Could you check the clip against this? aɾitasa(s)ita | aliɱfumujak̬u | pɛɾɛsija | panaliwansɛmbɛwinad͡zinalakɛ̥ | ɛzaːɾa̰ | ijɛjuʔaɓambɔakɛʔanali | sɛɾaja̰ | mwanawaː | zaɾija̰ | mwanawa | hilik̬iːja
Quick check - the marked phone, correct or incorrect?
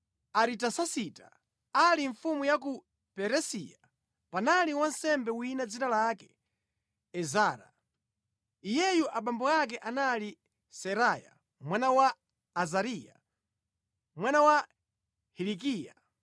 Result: correct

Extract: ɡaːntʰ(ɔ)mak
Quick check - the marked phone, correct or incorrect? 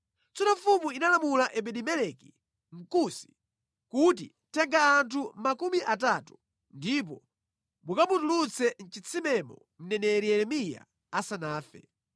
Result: incorrect: u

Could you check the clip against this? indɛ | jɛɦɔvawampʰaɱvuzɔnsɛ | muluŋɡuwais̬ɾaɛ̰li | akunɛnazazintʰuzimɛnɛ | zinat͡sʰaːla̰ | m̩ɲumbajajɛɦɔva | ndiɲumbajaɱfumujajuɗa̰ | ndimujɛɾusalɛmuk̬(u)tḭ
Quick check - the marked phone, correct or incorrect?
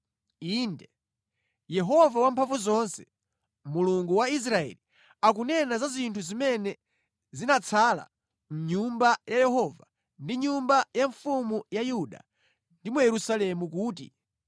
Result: incorrect: uː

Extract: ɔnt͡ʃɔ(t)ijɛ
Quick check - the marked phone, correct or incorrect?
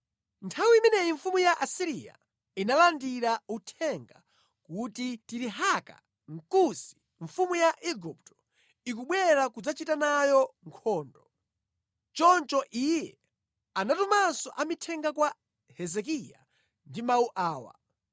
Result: incorrect: ʔ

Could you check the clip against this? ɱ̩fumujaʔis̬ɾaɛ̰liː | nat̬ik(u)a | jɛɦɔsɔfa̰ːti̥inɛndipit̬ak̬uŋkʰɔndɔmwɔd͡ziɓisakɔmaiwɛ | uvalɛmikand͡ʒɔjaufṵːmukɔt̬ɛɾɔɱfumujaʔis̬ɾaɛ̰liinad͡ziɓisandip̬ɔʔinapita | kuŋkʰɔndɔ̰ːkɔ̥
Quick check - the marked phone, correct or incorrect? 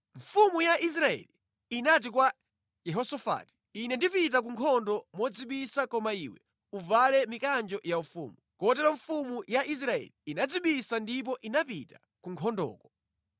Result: incorrect: w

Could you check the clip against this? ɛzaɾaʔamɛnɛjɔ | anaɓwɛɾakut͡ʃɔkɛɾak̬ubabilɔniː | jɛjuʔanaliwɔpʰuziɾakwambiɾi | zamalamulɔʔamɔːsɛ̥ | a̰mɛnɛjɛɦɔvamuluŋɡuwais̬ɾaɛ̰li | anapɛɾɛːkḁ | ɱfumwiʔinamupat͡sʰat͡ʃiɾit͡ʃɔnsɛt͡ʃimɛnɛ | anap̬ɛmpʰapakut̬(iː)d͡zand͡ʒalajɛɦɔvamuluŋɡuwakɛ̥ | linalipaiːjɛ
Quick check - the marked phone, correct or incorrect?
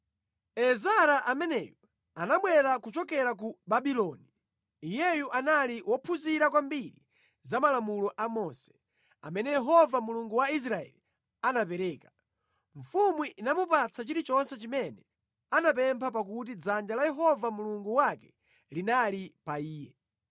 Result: incorrect: i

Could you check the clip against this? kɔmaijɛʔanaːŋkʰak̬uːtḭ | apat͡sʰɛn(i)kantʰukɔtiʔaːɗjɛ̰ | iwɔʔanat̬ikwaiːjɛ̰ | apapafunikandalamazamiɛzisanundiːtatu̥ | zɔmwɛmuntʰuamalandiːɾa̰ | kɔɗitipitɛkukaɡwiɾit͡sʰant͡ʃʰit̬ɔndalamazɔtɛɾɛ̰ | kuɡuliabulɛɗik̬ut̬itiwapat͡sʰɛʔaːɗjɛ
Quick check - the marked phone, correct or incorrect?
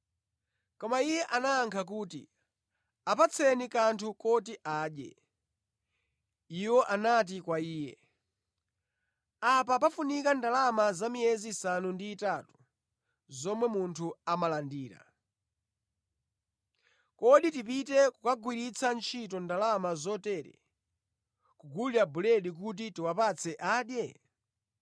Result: correct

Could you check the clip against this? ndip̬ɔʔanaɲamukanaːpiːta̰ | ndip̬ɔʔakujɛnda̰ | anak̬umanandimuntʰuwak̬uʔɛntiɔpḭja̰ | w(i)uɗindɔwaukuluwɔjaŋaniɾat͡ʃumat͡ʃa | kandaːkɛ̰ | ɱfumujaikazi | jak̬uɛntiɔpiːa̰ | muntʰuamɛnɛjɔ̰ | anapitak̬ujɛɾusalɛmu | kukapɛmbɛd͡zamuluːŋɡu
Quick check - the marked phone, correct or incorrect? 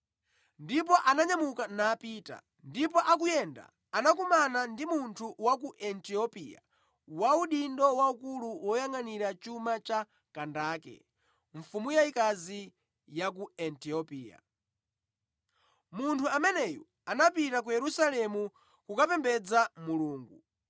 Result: incorrect: a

